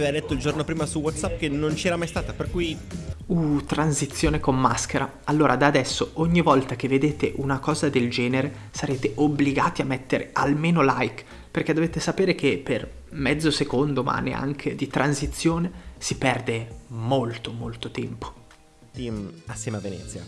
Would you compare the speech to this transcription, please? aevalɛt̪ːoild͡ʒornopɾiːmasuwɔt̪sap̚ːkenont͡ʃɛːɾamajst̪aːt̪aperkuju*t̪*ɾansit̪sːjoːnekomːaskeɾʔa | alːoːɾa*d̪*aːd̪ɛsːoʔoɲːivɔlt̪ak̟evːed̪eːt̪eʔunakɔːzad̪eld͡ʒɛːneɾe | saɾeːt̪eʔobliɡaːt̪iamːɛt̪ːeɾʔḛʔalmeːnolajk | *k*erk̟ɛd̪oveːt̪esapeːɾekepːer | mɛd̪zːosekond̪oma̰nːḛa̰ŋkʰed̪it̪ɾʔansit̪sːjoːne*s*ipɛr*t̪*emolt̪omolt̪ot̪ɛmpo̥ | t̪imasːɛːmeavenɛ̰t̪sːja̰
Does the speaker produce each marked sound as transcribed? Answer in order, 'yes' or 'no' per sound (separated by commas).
yes, yes, no, yes, no